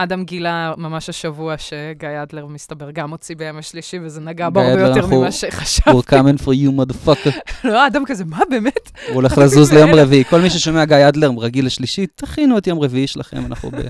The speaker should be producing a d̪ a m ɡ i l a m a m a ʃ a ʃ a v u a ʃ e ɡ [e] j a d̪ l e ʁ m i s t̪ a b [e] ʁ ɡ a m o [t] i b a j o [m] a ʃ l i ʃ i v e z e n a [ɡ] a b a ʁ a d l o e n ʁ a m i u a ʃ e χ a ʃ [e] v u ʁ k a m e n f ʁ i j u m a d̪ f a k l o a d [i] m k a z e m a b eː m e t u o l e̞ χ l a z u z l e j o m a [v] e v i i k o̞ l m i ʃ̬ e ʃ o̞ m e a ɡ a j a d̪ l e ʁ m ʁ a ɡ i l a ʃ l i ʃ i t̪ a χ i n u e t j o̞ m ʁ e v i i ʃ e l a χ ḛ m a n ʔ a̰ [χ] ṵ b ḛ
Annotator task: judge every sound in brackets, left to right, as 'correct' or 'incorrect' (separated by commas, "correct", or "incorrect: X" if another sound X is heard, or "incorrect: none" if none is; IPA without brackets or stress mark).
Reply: incorrect: a, correct, incorrect: t͡s, correct, correct, incorrect: a, incorrect: a, incorrect: ʁ, correct